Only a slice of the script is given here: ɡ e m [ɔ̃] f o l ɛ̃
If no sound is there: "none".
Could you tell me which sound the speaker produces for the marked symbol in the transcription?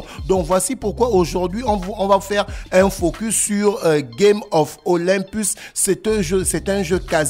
ɔ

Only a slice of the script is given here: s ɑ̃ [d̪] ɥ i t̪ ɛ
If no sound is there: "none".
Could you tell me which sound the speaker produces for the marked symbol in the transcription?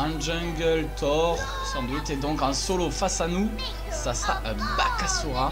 d̪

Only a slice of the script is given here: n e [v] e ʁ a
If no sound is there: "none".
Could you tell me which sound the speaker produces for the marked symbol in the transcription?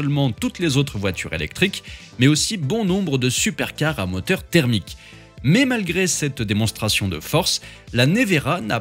v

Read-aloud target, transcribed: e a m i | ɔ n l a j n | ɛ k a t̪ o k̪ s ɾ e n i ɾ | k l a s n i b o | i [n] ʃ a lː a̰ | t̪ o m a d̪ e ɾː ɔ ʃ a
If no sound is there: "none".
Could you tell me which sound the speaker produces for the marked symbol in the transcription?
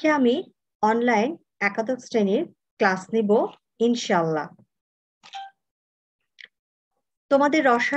n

